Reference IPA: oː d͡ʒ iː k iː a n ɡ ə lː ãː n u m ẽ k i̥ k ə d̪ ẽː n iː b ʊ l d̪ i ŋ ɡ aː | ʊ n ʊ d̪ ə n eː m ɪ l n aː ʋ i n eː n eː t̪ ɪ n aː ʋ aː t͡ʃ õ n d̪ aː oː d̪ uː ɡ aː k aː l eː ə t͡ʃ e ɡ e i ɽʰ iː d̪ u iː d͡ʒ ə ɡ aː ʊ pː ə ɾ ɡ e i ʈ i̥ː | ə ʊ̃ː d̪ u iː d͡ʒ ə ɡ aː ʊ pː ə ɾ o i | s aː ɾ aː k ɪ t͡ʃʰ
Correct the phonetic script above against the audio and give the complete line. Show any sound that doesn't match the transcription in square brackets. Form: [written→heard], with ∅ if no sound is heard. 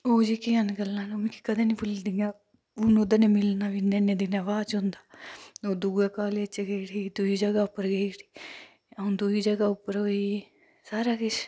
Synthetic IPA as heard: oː d͡ʒ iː k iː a n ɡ ə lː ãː n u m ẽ k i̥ k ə d̪ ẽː n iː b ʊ l d̪ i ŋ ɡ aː | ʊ n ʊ d̪ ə n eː m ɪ l n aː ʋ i n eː n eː [t̪→d̪] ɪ n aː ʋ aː t͡ʃ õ n d̪ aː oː d̪ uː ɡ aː k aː l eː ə t͡ʃ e ɡ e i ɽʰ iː d̪ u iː d͡ʒ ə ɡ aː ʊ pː ə ɾ ɡ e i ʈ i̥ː | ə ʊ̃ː d̪ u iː d͡ʒ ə ɡ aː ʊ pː ə ɾ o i | s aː ɾ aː k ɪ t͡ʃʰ